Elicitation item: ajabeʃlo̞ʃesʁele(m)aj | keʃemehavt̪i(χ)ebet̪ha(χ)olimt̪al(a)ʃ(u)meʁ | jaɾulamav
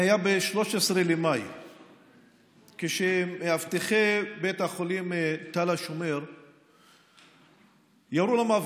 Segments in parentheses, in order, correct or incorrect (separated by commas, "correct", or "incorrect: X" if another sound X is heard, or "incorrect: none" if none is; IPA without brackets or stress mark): correct, correct, correct, correct, incorrect: o